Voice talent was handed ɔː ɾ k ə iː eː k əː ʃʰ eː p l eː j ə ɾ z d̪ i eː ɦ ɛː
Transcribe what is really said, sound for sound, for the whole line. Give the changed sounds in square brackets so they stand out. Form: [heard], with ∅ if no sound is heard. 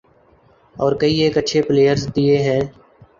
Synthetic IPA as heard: ɔː ɾ k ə iː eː k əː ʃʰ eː p l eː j ə ɾ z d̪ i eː ɦ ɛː

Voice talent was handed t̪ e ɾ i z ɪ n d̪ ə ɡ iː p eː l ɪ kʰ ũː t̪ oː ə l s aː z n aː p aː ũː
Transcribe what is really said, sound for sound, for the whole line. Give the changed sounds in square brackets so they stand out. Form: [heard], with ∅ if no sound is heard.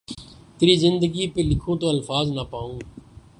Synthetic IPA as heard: t̪ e ɾ [iː] z ɪ n d̪ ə ɡ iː p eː l ɪ kʰ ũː t̪ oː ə l [f] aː z n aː p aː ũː

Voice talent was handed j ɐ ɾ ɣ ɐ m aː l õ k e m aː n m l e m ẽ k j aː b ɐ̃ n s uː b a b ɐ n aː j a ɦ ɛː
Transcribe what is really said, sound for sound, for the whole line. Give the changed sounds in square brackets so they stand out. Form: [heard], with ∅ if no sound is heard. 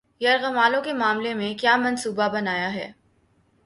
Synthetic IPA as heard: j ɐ ɾ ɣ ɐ m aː l õ k e m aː [∅] m l e m ẽ k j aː [m] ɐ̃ n s uː b a b ɐ n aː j a ɦ ɛː

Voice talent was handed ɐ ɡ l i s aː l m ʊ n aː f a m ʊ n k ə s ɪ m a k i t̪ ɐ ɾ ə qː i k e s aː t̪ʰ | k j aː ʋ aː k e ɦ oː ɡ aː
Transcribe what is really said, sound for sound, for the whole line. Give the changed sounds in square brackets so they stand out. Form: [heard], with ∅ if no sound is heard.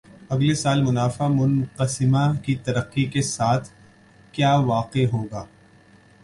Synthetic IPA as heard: ɐ ɡ l [e] s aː l m ʊ n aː f a m ʊ n [q] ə s ɪ m a k i t̪ ɐ ɾ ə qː i k e s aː t̪ʰ | k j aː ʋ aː [q] e ɦ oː ɡ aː

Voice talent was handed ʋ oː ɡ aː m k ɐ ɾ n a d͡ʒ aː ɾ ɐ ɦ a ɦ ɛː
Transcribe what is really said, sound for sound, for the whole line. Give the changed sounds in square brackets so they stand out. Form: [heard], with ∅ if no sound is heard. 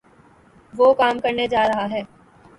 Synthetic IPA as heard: ʋ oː [k] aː m k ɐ ɾ n [e] d͡ʒ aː ɾ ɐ ɦ a ɦ ɛː

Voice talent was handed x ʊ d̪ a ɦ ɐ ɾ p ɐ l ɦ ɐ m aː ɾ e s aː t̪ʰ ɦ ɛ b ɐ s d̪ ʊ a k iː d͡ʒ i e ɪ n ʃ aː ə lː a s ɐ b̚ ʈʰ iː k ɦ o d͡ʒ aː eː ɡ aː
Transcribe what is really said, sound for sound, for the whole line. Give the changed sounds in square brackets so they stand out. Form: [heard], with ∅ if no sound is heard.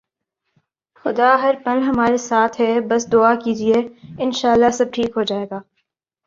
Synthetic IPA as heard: x ʊ d̪ a ɦ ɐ ɾ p ɐ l ɦ ɐ m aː ɾ e s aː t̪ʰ ɦ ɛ b ɐ s d̪ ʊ a k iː d͡ʒ i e ɪ n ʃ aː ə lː a s ɐ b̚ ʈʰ iː k ɦ o d͡ʒ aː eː ɡ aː

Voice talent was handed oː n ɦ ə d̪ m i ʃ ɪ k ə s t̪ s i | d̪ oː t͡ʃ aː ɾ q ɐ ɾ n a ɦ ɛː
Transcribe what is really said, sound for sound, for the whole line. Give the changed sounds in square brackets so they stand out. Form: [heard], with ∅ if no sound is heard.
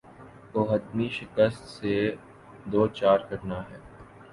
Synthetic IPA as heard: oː [∅] ɦ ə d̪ m i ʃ ɪ k ə s t̪ s [e] | d̪ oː t͡ʃ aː ɾ [k] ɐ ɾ n a ɦ ɛː

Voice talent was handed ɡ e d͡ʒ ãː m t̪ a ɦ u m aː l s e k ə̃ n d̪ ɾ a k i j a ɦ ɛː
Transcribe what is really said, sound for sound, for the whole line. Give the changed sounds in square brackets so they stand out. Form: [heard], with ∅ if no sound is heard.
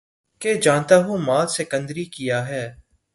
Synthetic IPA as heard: [k] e d͡ʒ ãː [n] t̪ a ɦ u m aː l s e k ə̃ n d̪ ɾ [i] k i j a ɦ ɛː

